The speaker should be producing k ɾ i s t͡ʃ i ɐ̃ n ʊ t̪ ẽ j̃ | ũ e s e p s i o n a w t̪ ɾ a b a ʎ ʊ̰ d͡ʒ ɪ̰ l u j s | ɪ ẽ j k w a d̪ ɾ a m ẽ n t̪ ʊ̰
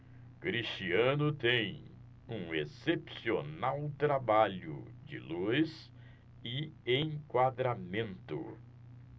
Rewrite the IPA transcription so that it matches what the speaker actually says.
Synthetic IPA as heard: k ɾ i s t͡ʃ i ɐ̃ n ʊ t̪ ẽ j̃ | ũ e s e p s i o n a w t̪ ɾ a b a ʎ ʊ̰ d͡ʒ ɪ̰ l u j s | ɪ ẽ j k w a d̪ ɾ a m ẽ n t̪ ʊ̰